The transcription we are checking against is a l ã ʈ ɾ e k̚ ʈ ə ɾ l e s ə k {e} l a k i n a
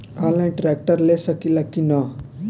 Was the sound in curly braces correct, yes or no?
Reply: no